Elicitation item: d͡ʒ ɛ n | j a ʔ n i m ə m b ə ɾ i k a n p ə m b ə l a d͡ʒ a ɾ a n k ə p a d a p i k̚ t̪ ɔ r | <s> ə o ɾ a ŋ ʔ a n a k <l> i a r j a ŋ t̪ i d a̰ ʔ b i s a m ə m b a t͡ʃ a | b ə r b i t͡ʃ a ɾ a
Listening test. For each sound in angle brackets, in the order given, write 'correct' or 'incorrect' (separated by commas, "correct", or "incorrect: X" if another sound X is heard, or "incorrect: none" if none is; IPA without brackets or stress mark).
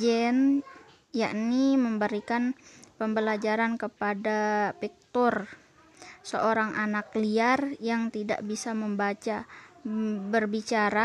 correct, correct